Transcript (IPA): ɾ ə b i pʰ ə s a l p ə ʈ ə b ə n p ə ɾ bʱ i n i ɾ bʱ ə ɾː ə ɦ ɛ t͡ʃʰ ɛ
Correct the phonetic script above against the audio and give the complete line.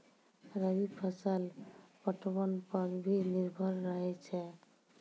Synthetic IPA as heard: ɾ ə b i pʰ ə s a l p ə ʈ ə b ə n p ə ɾ bʱ i n i ɾ bʱ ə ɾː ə ɦ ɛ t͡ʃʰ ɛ